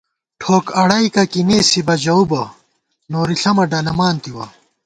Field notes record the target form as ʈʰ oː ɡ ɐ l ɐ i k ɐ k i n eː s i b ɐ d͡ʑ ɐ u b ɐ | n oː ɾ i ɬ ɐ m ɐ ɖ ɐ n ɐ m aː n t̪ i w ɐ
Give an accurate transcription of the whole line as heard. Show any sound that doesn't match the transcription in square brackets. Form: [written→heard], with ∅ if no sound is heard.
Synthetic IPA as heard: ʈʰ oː [ɡ→k] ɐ [l→ɽ] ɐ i k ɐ k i n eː s i b ɐ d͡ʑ ɐ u b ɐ | n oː ɾ i ɬ ɐ m ɐ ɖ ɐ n ɐ m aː n t̪ i w ɐ